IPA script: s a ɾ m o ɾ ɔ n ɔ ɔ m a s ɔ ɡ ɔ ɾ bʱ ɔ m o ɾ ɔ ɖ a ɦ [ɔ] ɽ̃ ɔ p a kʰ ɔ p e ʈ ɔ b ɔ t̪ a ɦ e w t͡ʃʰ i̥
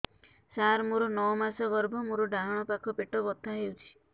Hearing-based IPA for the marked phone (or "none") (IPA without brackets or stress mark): ɔ